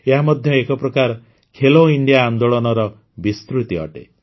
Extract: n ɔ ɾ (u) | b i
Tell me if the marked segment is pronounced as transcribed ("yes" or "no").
no